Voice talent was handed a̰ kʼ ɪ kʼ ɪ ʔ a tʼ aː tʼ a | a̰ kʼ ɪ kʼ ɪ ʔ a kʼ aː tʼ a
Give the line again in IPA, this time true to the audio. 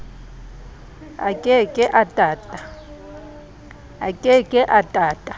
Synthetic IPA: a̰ kʼ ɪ kʼ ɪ ʔ a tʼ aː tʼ a | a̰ kʼ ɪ kʼ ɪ ʔ a tʼ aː tʼ a